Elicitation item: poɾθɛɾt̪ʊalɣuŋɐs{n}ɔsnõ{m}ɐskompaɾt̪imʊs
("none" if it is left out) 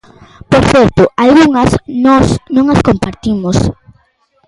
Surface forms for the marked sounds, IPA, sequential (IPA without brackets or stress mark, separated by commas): n, ŋ